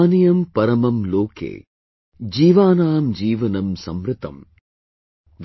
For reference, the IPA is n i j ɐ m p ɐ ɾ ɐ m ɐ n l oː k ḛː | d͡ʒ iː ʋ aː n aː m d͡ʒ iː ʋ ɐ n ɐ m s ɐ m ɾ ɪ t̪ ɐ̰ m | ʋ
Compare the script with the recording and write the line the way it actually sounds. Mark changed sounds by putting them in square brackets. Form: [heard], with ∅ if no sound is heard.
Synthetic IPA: n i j ɐ m p ɐ ɾ ɐ m ɐ [m] l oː k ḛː | d͡ʒ iː ʋ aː n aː m d͡ʒ iː ʋ ɐ n ɐ m s ɐ m ɾ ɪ t̪ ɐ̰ m | ʋ